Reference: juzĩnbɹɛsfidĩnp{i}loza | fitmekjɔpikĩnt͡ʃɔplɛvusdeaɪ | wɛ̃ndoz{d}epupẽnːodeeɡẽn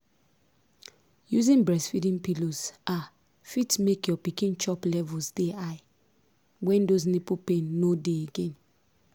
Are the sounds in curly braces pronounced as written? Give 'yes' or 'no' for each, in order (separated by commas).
yes, no